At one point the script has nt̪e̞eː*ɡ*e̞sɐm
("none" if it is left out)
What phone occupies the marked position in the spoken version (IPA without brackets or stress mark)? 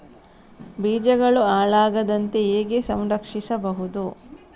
ɡ